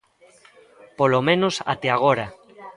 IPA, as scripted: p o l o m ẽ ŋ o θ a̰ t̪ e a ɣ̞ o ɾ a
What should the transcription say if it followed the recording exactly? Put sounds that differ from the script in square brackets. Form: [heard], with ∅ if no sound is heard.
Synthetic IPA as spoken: p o l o m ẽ [n] o [s] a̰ t̪ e a ɣ̞ o ɾ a